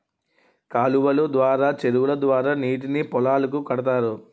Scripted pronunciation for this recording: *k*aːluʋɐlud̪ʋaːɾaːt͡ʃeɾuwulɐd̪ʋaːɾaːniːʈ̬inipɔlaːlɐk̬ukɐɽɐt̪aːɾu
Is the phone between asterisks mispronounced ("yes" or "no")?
no